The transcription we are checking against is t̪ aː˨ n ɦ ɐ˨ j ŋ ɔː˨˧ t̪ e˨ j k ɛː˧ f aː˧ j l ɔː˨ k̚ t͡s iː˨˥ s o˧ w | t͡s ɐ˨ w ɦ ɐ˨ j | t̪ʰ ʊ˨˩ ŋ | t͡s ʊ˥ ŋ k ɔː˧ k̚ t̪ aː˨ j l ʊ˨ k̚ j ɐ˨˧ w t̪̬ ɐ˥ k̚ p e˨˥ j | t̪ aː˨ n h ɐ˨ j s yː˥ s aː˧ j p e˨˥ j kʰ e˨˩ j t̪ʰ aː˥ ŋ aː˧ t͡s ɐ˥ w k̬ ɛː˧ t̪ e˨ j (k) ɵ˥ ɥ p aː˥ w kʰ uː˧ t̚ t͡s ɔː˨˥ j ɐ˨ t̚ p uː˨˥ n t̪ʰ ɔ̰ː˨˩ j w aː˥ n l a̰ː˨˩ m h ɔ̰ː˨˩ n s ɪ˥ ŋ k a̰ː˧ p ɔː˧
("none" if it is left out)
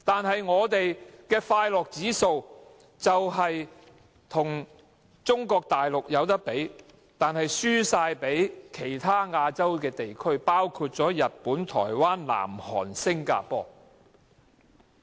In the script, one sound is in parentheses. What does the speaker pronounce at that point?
kʰ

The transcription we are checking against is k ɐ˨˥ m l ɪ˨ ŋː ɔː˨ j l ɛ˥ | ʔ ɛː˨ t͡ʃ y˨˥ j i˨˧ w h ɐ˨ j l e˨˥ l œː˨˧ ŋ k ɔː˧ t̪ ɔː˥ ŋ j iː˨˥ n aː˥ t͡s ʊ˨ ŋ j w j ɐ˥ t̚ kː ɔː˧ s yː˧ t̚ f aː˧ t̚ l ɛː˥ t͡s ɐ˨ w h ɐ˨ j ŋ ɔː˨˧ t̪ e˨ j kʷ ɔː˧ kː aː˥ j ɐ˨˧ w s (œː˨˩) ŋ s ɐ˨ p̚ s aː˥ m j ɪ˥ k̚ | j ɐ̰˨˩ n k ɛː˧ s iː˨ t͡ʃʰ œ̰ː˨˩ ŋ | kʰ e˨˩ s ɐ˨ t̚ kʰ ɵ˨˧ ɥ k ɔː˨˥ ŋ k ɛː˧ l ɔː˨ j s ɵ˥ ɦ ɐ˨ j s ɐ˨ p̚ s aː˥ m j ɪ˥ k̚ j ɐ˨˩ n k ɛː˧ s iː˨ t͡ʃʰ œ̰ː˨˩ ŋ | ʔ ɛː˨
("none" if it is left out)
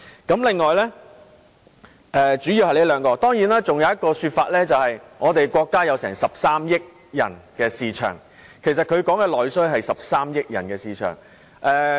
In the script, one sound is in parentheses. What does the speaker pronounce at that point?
ɛː˨˩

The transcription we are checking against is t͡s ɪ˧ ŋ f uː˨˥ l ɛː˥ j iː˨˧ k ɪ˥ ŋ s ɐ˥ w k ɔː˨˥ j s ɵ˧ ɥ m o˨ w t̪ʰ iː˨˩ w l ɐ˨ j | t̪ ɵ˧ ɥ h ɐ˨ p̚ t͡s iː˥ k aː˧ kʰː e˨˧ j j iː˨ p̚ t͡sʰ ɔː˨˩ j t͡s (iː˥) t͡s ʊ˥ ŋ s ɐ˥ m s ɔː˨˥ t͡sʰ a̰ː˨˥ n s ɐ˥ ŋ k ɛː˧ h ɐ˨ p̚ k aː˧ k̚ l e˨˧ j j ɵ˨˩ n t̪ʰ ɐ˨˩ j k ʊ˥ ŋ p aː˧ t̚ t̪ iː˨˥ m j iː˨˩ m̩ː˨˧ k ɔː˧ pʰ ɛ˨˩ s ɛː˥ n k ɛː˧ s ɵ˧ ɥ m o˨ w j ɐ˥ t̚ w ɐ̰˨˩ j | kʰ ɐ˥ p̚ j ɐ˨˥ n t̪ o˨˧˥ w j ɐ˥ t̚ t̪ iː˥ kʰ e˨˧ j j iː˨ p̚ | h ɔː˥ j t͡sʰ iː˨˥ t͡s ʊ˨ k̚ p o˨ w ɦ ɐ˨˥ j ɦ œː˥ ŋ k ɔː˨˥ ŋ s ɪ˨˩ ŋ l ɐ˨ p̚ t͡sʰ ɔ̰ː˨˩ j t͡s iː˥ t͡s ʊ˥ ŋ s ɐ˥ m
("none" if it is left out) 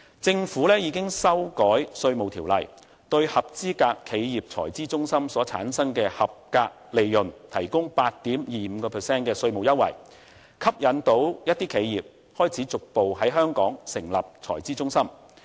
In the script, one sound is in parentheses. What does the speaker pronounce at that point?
iː˥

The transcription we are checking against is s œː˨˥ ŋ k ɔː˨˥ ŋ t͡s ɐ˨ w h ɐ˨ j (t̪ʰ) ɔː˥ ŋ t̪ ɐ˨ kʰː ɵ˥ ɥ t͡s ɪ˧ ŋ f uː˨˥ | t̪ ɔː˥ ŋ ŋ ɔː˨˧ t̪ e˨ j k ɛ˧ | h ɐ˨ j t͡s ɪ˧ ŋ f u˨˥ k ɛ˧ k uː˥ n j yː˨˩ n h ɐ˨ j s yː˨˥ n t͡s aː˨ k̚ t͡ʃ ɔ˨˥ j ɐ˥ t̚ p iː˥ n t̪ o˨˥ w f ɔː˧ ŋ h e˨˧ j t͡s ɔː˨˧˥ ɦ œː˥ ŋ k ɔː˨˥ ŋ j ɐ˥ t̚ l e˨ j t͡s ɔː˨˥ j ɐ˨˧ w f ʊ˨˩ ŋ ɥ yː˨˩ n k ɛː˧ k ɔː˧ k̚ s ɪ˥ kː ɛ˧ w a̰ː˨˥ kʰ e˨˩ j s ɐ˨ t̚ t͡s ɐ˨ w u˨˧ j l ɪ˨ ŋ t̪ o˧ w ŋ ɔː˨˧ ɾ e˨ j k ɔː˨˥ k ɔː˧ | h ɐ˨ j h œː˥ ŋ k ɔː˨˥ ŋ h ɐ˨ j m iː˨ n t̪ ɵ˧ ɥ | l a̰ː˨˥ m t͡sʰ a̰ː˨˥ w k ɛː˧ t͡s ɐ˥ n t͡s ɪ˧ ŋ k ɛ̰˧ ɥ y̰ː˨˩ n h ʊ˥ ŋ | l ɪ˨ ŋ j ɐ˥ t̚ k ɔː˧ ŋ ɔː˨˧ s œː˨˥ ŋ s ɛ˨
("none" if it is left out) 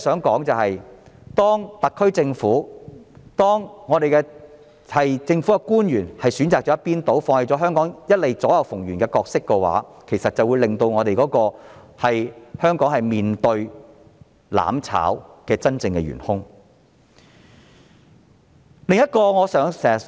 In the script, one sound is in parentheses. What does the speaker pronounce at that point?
t̪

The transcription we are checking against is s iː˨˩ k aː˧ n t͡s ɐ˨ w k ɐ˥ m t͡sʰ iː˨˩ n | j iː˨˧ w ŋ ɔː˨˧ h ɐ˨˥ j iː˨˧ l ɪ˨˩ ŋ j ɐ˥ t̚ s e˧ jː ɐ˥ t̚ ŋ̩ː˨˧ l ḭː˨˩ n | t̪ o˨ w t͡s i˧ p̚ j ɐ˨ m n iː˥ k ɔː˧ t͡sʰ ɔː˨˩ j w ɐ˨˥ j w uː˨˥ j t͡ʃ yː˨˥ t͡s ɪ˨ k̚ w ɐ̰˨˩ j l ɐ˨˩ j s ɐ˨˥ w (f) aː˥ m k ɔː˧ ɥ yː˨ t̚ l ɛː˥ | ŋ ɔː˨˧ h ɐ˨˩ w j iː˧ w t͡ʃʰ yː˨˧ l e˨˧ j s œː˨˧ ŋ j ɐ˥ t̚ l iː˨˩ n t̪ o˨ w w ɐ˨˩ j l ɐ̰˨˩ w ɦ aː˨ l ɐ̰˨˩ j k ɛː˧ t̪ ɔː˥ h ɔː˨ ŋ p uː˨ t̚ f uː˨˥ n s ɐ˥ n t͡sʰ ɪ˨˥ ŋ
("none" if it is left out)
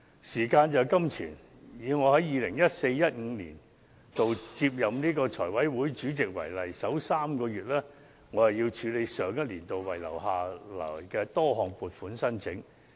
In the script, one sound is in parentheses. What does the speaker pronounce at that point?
s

